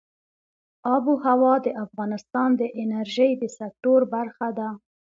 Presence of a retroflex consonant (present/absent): absent